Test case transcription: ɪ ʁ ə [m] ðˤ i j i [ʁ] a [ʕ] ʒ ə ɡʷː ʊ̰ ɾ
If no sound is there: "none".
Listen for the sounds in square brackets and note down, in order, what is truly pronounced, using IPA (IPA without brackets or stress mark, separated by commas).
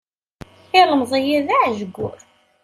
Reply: m, ð, ʕ